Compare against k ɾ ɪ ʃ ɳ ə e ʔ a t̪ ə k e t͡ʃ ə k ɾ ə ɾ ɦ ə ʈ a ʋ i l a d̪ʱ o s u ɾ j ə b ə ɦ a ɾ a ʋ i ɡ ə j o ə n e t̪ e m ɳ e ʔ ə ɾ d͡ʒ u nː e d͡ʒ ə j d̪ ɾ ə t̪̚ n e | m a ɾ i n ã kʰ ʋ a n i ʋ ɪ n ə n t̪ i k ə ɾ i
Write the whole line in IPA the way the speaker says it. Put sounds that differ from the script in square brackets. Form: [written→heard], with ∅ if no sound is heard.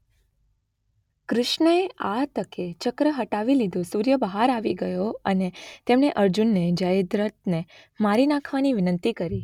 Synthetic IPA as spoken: k ɾ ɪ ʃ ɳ ə e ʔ a t̪ ə k e t͡ʃ ə k ɾ ə [ɾ→∅] ɦ ə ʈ a ʋ i l [a→i] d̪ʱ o s u ɾ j ə b ə ɦ a ɾ a ʋ i ɡ ə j o ə n e t̪ e m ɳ e ʔ ə ɾ d͡ʒ u nː e d͡ʒ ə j d̪ ɾ ə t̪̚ n e | m a ɾ i n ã kʰ ʋ a n i ʋ ɪ n ə n t̪ i k ə ɾ i